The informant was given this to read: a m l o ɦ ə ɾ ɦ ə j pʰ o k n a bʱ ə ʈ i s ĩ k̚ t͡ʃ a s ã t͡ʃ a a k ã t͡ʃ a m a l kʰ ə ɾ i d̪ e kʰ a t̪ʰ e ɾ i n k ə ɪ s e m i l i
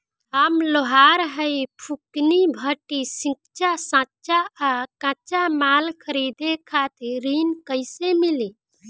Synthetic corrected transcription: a m l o ɦ a ɾ ɦ ə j pʰ u k n i bʱ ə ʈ i s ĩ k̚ t͡ʃ a s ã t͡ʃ a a k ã t͡ʃ a m a l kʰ ə ɾ i d̪ e kʰ a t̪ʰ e ɾ i n k ə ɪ s e m i l i

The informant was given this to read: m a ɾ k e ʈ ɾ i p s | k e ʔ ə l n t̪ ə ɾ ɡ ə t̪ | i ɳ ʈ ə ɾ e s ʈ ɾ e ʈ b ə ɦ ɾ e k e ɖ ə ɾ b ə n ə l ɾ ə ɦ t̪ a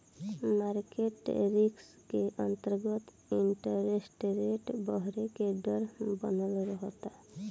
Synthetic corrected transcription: m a ɾ k e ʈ ɾ i k s | k e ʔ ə n t̪ ə ɾ ɡ ə t̪ | i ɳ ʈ ə ɾ e s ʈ ɾ e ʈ b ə ɦ ɾ e k e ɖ ə ɾ b ə n ə l ɾ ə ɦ t̪ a

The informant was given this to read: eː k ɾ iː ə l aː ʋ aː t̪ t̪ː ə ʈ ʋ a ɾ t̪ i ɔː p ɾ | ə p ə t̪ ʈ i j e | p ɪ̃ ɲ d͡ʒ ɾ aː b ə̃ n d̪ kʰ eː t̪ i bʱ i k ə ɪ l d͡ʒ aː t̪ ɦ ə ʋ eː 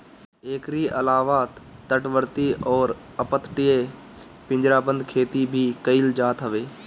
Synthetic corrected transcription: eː k ɾ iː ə l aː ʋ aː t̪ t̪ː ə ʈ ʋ ə ɾ t̪ i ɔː ɾ | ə p ə t̪ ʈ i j e | p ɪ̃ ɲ d͡ʒ ɾ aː b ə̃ n d̪ kʰ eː t̪ i bʱ i k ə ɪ l d͡ʒ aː t̪ ɦ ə ʋ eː

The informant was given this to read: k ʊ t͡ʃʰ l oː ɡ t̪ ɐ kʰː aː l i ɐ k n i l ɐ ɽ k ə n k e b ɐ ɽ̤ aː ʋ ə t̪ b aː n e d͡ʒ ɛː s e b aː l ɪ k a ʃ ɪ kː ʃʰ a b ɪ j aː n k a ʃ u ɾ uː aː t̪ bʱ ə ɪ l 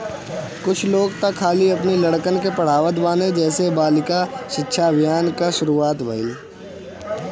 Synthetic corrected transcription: k ʊ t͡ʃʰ l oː ɡ t̪ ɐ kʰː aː l i ɐ p n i l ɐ ɽ k ə n k e p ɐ ɽ̤ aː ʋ ə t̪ b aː n e d͡ʒ ɛː s e b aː l ɪ k a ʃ ɪ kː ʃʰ a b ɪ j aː n k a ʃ ʊ ɾ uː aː t̪ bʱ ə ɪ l

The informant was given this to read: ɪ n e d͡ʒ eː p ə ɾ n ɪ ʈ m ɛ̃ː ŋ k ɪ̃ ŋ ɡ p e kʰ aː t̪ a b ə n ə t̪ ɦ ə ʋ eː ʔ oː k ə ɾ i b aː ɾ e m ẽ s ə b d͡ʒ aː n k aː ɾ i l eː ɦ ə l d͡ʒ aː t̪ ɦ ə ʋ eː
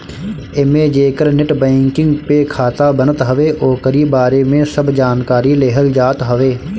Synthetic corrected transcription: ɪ m e d͡ʒ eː k ə ɾ n ɪ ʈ b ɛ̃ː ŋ k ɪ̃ ŋ ɡ p e kʰ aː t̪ a b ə n ə t̪ ɦ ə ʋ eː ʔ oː k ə ɾ i b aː ɾ e m ẽ s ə b d͡ʒ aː n k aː ɾ i l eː ɦ ə l d͡ʒ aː t̪ ɦ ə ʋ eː

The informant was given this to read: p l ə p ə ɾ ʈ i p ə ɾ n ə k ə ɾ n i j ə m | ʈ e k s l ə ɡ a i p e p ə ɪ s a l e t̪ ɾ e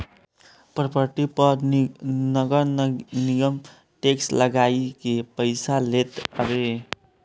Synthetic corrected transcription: p ɾ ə p ə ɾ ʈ i p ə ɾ n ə ɡ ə ɾ n i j ə m | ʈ e k s l ə ɡ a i k e p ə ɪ s a l e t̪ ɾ e

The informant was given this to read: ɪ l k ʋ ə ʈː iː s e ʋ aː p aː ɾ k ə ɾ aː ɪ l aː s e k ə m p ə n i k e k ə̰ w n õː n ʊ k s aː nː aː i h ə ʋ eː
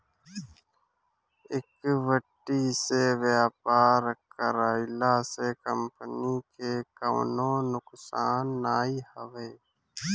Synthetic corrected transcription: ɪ k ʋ ə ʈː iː s e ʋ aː p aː ɾ k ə ɾ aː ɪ l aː s e k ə m p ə n i k e k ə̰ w n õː n ʊ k s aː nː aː i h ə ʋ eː

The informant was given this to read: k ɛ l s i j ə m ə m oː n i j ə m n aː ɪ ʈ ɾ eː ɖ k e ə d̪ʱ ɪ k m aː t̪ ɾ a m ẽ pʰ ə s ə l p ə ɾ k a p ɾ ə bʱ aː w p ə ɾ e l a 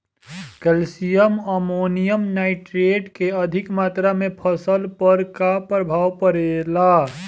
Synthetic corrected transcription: k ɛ l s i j ə m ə m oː n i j ə m n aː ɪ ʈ ɾ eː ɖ k e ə d̪ʱ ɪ k m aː t̪ ɾ a m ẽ pʰ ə s ə l p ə ɾ k a p ɾ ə bʱ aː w p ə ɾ e l a

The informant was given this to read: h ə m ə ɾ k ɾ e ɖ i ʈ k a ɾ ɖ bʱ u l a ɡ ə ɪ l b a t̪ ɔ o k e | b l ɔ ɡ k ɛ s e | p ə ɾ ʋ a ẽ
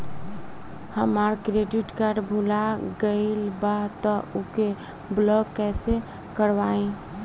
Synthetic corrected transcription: h ə m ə ɾ k ɾ e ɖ i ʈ k a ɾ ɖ bʱ u l a ɡ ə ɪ l b a t̪ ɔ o k e | b l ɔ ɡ k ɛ s e | k ə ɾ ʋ a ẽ

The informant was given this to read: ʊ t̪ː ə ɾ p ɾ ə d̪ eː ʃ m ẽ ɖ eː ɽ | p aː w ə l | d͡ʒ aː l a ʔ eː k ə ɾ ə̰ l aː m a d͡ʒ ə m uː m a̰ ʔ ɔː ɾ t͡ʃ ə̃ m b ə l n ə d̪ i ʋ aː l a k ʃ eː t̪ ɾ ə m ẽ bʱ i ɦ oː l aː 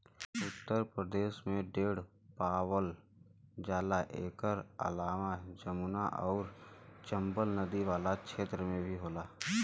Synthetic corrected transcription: ʊ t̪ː ə ɾ p ɾ ə d̪ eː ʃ m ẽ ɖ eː ɽ | p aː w ə l | d͡ʒ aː l a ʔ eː k ə ɾ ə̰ l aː m a d͡ʒ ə m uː n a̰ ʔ ɔː ɾ t͡ʃ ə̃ m b ə l n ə d̪ i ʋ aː l a k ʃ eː t̪ ɾ ə m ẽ bʱ i ɦ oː l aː

